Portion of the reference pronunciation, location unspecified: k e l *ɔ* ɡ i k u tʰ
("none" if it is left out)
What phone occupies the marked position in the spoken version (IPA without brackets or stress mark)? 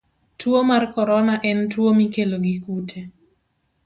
o